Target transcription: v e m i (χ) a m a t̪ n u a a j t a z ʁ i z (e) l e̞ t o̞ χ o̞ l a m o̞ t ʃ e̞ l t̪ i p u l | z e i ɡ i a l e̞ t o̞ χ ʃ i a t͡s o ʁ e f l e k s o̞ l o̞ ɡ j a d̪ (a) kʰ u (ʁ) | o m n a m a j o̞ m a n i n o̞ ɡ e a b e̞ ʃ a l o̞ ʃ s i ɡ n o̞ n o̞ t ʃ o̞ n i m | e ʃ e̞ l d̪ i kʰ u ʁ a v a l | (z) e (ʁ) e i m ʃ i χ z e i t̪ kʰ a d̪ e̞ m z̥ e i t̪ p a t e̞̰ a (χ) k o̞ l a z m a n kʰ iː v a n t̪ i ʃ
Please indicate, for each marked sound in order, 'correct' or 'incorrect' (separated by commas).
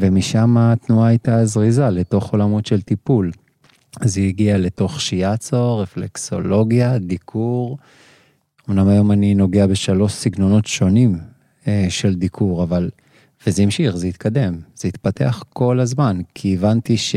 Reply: incorrect, incorrect, incorrect, correct, incorrect, incorrect, correct